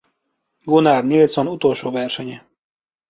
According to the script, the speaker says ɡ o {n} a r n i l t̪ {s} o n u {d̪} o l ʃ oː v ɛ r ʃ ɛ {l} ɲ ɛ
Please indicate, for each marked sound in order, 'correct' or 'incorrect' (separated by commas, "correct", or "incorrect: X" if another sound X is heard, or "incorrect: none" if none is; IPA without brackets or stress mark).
correct, correct, incorrect: t̪, incorrect: none